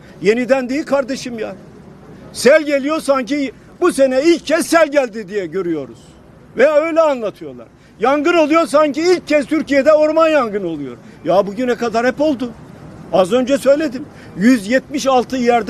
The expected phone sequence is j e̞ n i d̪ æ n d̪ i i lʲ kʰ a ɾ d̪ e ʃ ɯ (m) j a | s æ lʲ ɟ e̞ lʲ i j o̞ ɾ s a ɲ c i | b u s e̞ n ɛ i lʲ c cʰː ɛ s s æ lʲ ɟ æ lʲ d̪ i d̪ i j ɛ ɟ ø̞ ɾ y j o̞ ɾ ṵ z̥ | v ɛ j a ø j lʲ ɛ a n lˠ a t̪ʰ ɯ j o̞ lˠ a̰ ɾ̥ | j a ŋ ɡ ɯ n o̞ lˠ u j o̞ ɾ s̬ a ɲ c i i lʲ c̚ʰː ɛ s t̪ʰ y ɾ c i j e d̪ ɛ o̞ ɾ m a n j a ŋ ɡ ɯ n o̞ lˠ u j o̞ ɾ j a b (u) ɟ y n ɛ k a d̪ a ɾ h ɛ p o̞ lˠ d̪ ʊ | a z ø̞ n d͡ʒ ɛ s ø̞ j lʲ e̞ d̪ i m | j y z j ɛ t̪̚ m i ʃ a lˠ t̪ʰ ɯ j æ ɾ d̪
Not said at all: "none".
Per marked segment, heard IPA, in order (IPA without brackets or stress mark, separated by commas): m, u